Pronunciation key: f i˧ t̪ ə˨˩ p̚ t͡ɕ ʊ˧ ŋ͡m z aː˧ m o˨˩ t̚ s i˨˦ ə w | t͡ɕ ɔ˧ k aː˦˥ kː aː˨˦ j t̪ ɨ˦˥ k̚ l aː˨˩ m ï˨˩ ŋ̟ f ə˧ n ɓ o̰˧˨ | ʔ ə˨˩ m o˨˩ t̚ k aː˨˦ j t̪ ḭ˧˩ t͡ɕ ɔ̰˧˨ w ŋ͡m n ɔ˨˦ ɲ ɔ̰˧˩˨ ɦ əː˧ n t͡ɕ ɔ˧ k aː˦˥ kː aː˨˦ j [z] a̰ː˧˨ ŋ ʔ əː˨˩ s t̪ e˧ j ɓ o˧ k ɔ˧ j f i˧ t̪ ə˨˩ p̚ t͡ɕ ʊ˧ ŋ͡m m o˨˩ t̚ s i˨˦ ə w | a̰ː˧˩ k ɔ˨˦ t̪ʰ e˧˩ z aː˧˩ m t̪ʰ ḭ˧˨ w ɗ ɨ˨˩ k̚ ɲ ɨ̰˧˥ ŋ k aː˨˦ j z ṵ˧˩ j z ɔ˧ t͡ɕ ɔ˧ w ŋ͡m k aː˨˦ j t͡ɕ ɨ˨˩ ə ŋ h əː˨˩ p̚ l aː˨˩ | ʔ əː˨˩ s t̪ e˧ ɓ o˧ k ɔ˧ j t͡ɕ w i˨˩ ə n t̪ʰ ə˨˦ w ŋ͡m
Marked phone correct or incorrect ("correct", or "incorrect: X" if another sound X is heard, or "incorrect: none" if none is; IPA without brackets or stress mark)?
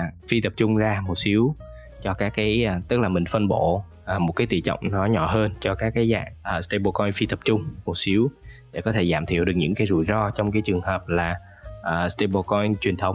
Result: correct